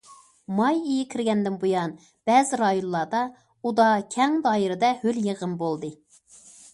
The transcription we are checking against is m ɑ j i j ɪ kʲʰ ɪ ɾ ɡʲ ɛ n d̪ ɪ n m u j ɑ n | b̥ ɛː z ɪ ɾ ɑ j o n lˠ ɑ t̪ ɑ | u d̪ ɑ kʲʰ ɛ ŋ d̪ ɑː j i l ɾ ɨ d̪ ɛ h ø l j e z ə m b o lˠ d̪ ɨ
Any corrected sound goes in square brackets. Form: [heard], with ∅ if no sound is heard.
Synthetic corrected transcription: m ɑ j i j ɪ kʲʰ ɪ ɾ ɡʲ ɛ n d̪ ɪ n [b] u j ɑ n | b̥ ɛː z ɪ ɾ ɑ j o n lˠ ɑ [d̪] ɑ | u d̪ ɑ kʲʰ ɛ ŋ d̪ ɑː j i [∅] ɾ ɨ d̪ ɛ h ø l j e [ʁ] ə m b o lˠ d̪ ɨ